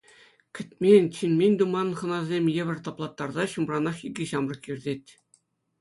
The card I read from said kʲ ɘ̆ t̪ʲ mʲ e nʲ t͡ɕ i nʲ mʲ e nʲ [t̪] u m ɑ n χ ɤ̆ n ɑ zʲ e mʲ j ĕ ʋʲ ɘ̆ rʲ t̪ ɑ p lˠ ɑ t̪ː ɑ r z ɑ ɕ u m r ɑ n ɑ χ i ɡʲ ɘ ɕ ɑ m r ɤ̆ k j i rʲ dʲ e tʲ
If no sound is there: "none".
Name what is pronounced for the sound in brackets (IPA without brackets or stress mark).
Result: d̪